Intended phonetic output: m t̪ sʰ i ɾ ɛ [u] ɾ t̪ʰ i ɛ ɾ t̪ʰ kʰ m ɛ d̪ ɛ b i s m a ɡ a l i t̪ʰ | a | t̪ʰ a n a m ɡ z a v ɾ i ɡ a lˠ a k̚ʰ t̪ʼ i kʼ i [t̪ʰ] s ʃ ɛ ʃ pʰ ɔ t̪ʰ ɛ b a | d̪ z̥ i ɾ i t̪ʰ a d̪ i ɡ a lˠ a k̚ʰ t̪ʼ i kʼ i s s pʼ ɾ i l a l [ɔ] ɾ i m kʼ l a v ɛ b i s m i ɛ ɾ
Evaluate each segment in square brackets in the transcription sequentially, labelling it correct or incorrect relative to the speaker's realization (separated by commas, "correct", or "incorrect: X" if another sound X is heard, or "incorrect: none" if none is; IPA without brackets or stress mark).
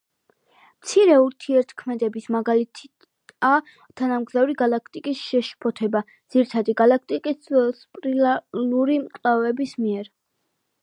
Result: correct, incorrect: none, incorrect: u